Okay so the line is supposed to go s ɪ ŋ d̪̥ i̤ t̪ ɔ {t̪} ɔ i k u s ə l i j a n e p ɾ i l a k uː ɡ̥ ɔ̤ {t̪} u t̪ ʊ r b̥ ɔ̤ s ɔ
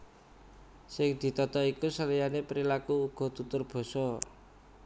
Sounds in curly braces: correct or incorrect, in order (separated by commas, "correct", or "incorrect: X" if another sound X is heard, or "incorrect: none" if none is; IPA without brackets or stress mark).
correct, correct